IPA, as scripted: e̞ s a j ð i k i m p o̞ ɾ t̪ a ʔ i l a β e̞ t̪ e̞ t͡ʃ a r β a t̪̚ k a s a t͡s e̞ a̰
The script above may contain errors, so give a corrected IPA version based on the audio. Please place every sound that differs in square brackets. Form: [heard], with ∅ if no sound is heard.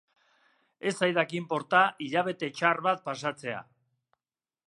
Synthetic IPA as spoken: e̞ s a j ð [a] k i m p o̞ ɾ t̪ a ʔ i [ʎ] a β e̞ t̪ e̞ t͡ʃ a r β a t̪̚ [p] a s a t͡s e̞ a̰

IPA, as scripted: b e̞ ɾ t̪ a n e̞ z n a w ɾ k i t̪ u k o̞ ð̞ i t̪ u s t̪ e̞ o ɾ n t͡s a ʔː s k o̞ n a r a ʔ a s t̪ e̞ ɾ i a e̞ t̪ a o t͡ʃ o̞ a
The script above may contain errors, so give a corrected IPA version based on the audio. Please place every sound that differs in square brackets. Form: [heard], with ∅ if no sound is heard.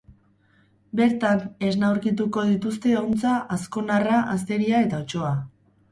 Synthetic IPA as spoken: b e̞ ɾ t̪ a n e̞ z n a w ɾ k i t̪ u k o̞ ð̞ i t̪ u s t̪ e̞ o [∅] n t͡s a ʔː s k o̞ n a r a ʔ a s t̪ e̞ ɾ i a e̞ t̪ a o t͡ʃ o̞ a

